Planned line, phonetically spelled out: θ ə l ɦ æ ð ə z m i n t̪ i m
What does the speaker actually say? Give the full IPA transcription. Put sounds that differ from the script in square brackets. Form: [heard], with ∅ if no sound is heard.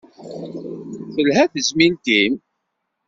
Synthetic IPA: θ ə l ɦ æ [θ] ə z m i n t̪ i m